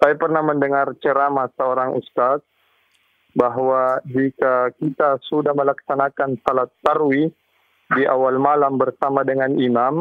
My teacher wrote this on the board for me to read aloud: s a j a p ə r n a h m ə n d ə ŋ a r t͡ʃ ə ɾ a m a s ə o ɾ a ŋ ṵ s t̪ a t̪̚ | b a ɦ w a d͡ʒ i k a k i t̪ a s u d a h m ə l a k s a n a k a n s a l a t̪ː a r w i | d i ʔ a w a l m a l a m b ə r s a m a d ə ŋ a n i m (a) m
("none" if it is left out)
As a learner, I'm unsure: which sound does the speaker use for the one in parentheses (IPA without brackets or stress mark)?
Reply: a